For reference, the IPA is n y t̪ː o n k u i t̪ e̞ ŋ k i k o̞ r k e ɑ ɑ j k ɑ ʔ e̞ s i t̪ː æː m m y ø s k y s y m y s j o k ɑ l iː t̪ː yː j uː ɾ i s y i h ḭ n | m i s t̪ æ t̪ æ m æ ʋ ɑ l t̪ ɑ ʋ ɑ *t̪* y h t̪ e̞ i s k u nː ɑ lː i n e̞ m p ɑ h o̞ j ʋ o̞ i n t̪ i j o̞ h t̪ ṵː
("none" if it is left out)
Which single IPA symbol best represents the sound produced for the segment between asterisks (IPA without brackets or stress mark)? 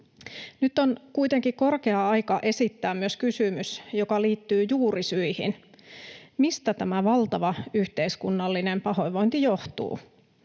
none